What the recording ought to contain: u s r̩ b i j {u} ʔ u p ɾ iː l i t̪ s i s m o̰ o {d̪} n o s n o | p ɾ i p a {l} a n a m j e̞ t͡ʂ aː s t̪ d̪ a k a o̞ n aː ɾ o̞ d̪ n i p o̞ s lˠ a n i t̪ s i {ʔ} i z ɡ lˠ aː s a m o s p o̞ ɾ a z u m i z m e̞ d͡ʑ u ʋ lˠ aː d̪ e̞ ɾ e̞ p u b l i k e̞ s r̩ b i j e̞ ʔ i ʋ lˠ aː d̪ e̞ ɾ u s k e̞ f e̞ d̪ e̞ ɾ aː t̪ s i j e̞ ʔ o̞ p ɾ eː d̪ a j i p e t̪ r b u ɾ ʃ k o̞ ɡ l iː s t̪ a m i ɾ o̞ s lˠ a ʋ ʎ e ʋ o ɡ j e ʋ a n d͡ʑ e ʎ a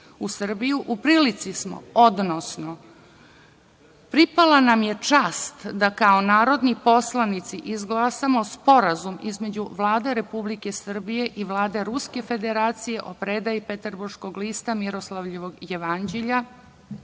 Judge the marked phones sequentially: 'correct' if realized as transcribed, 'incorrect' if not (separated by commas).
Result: correct, correct, correct, correct